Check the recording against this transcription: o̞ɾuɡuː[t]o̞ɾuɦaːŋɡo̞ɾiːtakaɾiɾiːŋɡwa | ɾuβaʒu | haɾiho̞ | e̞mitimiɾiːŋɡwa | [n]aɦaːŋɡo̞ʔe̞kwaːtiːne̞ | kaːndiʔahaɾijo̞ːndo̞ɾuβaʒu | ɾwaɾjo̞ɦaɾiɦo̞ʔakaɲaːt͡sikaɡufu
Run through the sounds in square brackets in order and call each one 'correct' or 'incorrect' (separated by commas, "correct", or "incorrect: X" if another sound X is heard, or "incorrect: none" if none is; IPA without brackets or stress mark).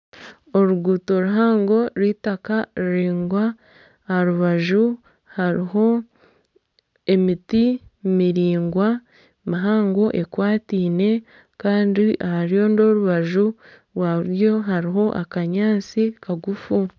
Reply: correct, incorrect: m